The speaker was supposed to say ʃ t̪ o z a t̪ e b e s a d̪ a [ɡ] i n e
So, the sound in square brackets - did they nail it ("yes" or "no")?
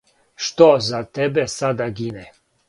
yes